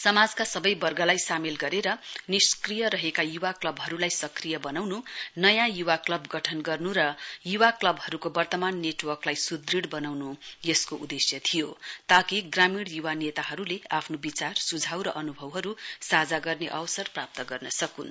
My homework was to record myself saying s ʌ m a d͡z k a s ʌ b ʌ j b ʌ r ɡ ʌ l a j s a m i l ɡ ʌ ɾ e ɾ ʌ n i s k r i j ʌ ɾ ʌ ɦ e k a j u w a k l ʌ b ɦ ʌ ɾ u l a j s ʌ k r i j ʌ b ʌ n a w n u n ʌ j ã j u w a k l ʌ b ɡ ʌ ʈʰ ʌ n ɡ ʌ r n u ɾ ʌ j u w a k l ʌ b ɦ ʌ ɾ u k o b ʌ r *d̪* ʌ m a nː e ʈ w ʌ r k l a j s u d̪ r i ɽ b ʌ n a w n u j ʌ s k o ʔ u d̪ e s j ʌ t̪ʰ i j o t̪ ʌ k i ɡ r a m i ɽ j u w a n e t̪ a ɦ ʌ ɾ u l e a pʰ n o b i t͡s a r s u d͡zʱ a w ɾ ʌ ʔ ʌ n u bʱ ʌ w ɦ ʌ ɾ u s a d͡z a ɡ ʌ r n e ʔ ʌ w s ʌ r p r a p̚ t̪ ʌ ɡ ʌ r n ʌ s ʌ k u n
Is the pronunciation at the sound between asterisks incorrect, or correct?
incorrect